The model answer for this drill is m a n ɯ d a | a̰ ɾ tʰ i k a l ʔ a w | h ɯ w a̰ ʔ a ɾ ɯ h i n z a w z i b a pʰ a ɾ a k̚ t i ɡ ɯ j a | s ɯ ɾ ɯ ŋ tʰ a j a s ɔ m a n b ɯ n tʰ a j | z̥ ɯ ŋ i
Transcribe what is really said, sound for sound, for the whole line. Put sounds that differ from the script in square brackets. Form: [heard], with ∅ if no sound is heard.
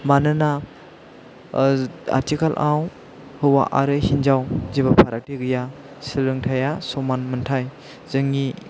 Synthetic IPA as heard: m a n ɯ [n] a | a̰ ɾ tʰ i k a l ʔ a w | h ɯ w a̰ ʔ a ɾ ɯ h i n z a w z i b a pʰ a ɾ a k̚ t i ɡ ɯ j a | s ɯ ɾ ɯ ŋ tʰ a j a s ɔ m a n [m] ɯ n tʰ a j | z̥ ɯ ŋ i